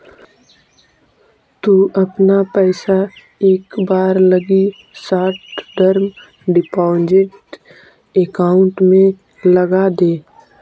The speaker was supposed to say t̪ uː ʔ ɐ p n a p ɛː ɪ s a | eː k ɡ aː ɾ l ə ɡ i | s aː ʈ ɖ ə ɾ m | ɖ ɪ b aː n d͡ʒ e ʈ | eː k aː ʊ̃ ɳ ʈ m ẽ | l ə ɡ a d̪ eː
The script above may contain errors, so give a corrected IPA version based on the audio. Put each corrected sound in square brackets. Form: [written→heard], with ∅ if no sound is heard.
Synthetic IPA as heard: t̪ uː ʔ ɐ p n a p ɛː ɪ s a | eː k [ɡ→b] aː ɾ l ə ɡ i | s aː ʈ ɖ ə ɾ m | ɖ ɪ [b→p] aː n d͡ʒ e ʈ | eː k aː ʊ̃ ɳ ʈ m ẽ | l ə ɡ a d̪ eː